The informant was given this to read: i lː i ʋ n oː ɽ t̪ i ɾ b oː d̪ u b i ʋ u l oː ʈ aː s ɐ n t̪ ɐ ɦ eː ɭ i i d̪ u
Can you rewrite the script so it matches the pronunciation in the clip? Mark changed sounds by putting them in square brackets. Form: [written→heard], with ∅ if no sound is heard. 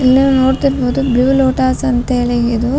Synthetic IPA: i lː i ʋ n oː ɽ t̪ i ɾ b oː d̪ u b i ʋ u l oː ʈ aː s ɐ n t̪ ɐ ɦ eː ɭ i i d̪ u